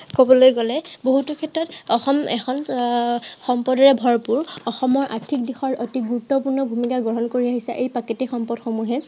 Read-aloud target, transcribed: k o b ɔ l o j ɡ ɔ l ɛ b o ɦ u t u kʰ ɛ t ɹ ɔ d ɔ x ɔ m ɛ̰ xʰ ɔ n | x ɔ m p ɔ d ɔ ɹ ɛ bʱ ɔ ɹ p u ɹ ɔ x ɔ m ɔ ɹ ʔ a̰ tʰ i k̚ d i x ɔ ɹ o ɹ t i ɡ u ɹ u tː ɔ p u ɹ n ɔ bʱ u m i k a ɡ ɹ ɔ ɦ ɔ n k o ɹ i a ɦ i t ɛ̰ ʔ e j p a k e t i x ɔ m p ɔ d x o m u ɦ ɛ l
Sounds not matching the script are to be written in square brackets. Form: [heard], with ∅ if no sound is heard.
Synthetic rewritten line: k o b ɔ l o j ɡ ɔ l ɛ b o ɦ u t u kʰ ɛ t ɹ ɔ [t] ɔ x ɔ m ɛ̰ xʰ ɔ n | x ɔ m p ɔ d ɔ ɹ ɛ bʱ ɔ ɹ p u ɹ ɔ x ɔ m ɔ ɹ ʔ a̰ tʰ i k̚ d i x ɔ ɹ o [∅] t i ɡ u ɹ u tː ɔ p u ɹ n ɔ bʱ u m i k a ɡ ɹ ɔ ɦ ɔ n k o ɹ i a ɦ i [s] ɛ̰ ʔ e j p a k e t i x ɔ m p ɔ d x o m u ɦ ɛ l

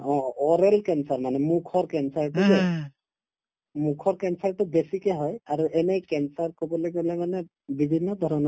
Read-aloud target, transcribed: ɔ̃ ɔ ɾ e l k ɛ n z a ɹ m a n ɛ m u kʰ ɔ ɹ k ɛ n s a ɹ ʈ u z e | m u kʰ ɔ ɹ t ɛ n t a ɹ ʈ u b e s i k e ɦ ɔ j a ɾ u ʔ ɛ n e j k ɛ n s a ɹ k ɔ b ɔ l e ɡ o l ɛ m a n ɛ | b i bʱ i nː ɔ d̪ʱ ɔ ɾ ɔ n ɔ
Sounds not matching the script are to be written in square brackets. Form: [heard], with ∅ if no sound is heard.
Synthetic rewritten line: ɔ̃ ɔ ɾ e l k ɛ n [s] a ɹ m a n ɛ m u kʰ ɔ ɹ k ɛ n s a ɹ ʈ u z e | m u kʰ ɔ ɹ [k] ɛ n [s] a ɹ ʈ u b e s i k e ɦ ɔ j a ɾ u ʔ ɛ n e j k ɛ n s a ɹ k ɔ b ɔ l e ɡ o l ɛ m a n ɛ | b i bʱ i nː ɔ d̪ʱ ɔ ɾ ɔ n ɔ

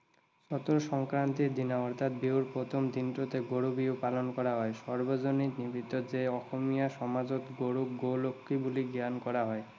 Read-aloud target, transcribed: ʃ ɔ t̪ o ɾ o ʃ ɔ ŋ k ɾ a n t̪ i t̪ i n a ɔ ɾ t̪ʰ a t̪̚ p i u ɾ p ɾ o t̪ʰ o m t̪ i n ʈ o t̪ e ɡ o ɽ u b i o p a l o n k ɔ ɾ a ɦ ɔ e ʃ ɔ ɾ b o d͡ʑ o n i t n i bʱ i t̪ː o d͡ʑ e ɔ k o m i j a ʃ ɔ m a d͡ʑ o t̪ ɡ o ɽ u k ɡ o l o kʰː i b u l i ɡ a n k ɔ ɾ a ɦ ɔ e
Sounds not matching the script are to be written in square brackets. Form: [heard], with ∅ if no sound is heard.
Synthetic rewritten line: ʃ ɔ t̪ o ɾ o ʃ ɔ ŋ k ɾ a n t̪ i [d̪] i n a ɔ ɾ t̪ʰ a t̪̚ [b] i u ɾ p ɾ o t̪ʰ o m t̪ i n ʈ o t̪ e ɡ o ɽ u b i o p a l o n k ɔ ɾ a ɦ ɔ e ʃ ɔ ɾ b o d͡ʑ o n i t n i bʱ i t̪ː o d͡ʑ e ɔ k o m i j a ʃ ɔ m a d͡ʑ o t̪ ɡ o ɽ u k ɡ o l o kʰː i b u l i ɡ a n k ɔ ɾ a ɦ ɔ e

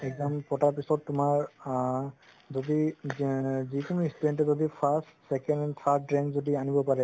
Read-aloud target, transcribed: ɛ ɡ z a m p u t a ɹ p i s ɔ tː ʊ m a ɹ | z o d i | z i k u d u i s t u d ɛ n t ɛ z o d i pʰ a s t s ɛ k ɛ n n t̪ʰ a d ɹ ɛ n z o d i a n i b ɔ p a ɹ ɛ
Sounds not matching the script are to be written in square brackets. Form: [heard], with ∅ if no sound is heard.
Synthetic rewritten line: ɛ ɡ z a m p [ɔ] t a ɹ p i s ɔ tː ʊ m a ɹ | z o d i | z i k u [n] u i s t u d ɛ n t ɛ z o d i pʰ a s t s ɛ k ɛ n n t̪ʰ a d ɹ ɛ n z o d i a n i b ɔ p a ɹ ɛ

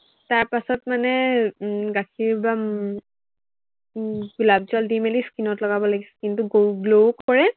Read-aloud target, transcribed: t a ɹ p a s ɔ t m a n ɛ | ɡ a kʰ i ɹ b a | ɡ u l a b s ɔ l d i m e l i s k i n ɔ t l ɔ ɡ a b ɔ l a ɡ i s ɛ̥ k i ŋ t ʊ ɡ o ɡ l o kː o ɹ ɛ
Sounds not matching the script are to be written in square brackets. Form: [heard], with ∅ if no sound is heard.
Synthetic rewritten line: t a ɹ p a s ɔ t m a n ɛ | ɡ a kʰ i ɹ b a | ɡ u l a b [z] ɔ l d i m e l i s k i n ɔ t l ɔ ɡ a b ɔ l a ɡ i s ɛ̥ k i [n] t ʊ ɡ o ɡ l o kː [ɔ] ɹ ɛ

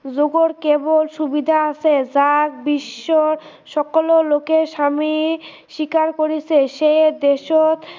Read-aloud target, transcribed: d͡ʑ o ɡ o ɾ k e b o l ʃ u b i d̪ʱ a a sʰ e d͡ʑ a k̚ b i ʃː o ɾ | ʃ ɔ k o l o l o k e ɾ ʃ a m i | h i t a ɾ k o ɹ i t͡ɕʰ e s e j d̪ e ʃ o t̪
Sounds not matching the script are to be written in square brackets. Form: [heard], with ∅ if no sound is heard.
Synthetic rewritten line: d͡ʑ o ɡ o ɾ k e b o l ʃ u b i d̪ʱ a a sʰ e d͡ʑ a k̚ b i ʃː o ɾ | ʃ ɔ k o l o l o k e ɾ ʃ a m i | [ʃ] i [k] a ɾ k o [ɾ] i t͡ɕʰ e [ʃ] e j d̪ e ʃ o t̪

